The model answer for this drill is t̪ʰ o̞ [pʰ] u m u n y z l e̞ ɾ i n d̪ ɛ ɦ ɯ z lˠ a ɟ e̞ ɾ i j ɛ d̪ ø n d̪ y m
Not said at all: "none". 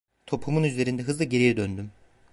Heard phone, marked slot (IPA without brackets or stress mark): pʰ